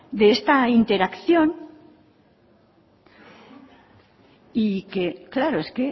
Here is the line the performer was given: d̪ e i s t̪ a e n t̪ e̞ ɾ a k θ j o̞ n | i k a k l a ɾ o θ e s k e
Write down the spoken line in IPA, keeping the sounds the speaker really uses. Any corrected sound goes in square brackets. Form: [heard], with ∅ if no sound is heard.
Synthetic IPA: d̪ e [e] s t̪ a [i] n t̪ e̞ ɾ a k θ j o̞ n | i k [e] k l a ɾ o [∅] e s k e